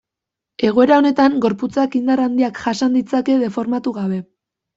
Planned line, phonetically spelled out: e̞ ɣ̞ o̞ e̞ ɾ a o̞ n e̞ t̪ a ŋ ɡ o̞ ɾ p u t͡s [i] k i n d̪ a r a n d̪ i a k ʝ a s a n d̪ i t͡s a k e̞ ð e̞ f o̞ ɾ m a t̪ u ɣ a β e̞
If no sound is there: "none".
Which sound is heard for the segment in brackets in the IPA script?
a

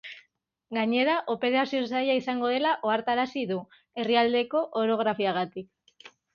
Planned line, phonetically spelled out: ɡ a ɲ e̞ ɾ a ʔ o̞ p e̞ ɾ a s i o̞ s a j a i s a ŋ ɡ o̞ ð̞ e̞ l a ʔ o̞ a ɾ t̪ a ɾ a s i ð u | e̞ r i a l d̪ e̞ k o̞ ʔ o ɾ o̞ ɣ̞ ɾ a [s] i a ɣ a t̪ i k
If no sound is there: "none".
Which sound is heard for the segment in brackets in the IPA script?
f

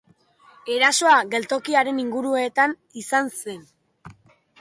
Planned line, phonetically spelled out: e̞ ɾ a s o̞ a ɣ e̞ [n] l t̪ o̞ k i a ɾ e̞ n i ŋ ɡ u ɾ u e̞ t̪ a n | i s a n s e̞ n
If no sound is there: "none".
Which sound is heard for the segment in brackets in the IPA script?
none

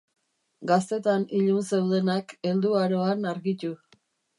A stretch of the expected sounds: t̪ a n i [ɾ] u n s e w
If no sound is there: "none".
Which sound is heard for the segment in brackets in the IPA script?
ʎ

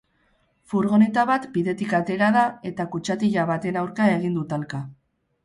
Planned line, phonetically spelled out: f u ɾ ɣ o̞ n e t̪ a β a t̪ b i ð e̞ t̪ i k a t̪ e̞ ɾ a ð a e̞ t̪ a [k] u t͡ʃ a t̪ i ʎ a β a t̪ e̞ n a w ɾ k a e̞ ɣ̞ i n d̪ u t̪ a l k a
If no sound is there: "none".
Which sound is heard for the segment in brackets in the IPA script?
k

